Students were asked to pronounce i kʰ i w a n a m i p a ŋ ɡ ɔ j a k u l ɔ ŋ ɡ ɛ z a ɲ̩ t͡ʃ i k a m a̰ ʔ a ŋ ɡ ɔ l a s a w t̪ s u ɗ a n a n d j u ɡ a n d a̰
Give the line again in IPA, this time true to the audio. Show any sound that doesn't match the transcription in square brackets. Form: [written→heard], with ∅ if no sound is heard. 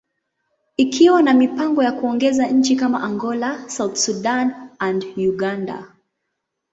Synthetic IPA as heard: i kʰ i w a n a m i p a ŋ ɡ ɔ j a k u [l→∅] ɔ ŋ ɡ ɛ z a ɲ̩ t͡ʃ i k a m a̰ ʔ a ŋ ɡ ɔ l a s a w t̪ s u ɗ a n a n d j u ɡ a n d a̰